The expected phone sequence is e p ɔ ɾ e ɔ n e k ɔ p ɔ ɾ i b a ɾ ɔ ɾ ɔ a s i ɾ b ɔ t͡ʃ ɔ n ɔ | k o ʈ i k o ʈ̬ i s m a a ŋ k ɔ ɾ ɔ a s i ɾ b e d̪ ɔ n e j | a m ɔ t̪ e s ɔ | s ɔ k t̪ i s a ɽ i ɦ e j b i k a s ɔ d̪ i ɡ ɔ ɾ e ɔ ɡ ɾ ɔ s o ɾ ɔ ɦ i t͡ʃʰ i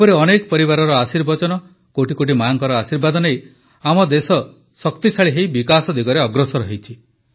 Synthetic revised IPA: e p ɔ ɾ e ɔ n e k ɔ p ɔ ɾ i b a ɾ ɔ ɾ ɔ a s i ɾ b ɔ t͡ʃ ɔ n ɔ | k o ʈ i k o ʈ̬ i m a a ŋ k ɔ ɾ ɔ a s i ɾ b a d̪ ɔ n e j | a m ɔ d̪ e s ɔ | s ɔ k t̪ i s a ɭ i ɦ e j b i k a s ɔ d̪ i ɡ ɔ ɾ e ɔ ɡ ɾ ɔ s ɔ ɾ ɔ ɦ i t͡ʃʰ i